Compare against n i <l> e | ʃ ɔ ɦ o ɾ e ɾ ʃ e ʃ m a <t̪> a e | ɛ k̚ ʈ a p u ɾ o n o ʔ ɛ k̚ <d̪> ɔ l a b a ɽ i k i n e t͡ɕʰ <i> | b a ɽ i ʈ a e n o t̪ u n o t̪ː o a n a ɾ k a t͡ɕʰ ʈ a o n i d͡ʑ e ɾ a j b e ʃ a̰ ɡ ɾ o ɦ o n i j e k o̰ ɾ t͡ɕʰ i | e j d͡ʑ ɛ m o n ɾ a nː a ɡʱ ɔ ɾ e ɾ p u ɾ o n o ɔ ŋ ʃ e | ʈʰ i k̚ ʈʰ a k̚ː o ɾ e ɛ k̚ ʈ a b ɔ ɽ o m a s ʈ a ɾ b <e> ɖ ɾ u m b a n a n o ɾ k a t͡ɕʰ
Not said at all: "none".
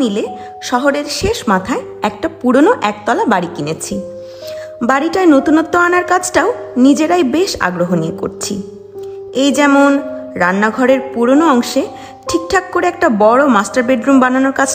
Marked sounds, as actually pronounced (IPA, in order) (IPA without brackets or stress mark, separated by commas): l, t̪ʰ, t̪, i, e